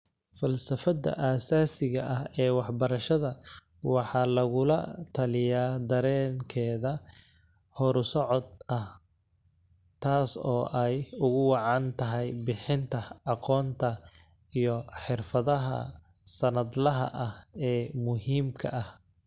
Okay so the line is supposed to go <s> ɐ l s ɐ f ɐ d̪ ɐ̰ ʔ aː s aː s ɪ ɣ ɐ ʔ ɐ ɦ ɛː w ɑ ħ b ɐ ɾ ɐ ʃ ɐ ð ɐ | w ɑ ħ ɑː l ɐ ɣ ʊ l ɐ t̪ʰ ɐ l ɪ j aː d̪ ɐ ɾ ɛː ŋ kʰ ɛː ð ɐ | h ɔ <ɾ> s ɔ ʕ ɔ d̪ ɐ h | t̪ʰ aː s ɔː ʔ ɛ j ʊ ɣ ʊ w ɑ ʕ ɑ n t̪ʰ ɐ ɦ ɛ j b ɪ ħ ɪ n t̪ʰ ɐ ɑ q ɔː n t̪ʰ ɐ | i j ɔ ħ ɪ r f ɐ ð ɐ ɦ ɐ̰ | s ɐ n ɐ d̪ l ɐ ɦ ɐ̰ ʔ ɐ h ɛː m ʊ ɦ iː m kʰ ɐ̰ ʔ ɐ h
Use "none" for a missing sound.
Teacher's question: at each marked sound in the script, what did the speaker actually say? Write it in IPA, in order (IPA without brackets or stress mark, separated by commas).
f, ɾ